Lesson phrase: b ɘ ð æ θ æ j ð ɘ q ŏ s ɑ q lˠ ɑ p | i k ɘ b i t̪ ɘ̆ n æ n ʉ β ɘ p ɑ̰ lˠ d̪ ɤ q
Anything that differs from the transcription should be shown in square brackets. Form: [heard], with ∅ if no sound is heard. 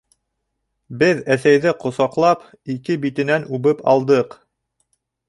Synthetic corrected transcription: b ɘ ð æ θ æ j ð ɘ q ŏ s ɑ q lˠ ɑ p | i k ɘ b i t̪ ɘ̆ n æ n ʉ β ɘ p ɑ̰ lˠ d̪ ɤ q